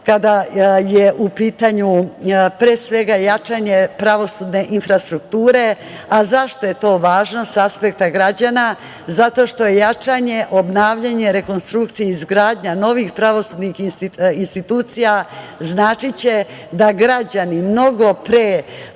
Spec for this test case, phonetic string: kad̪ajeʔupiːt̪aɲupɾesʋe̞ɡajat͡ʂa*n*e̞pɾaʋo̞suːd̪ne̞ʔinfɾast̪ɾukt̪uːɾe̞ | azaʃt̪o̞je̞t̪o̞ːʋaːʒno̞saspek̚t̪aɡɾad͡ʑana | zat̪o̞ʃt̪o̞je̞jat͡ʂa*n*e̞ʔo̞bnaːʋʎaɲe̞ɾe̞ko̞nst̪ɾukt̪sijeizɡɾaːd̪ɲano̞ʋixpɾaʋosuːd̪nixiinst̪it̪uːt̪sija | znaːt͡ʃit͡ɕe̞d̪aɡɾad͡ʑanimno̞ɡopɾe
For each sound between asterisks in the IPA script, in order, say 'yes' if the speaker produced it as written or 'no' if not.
no, no

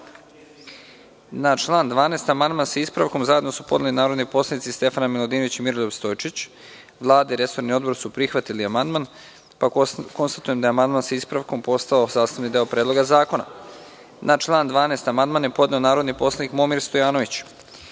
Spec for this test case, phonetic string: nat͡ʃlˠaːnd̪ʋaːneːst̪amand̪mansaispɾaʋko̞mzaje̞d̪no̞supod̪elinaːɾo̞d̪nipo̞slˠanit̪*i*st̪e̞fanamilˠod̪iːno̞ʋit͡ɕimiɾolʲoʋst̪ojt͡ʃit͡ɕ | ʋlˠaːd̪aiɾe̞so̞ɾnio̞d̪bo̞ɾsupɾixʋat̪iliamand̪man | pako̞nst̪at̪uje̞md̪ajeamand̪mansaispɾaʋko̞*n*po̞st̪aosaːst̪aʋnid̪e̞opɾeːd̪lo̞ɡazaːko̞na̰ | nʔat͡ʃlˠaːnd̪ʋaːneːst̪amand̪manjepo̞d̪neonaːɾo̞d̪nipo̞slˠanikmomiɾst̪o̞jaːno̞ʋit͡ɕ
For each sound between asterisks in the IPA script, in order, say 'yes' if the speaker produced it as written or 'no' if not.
yes, no

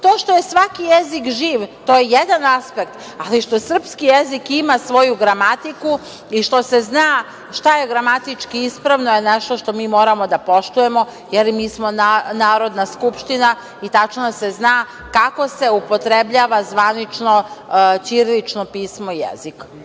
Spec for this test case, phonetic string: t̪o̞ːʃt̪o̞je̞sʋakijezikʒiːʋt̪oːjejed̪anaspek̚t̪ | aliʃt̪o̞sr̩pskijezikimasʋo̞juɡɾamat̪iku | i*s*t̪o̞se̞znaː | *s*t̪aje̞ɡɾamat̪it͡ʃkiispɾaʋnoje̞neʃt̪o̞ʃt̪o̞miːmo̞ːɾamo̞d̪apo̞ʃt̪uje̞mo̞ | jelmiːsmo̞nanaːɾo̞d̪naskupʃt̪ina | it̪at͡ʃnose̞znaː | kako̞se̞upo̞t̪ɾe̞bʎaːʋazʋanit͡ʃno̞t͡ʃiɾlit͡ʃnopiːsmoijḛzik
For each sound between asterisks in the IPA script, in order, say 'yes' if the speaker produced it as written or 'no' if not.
no, no

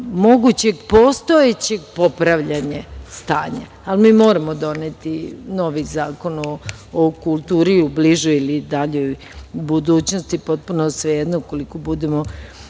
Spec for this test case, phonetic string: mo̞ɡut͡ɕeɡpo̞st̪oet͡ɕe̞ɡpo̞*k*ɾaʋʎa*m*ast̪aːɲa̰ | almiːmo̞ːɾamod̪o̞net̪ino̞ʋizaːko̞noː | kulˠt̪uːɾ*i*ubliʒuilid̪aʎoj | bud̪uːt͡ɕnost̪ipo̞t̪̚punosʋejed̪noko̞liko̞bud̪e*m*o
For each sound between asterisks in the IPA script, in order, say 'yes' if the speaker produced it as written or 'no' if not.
no, no, yes, yes

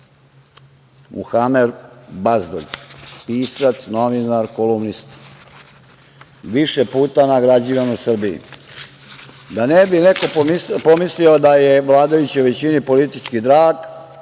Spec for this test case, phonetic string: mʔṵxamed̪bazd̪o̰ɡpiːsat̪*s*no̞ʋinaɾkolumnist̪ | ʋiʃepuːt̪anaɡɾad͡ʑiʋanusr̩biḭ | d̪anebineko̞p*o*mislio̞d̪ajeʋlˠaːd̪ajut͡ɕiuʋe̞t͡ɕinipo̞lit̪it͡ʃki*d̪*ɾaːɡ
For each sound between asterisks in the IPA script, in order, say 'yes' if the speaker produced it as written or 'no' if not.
yes, yes, yes

